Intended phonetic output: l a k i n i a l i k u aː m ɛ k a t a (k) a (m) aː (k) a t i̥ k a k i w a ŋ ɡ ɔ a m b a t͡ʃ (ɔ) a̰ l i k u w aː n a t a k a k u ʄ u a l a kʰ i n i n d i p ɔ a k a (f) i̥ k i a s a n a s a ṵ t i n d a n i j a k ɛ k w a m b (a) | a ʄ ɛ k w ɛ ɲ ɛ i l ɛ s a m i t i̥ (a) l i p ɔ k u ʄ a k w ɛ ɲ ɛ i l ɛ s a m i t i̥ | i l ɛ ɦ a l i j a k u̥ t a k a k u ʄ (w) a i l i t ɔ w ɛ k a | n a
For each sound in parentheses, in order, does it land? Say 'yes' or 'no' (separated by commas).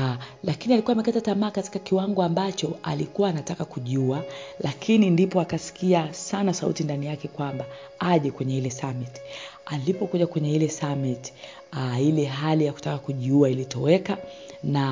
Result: no, yes, yes, yes, no, yes, yes, no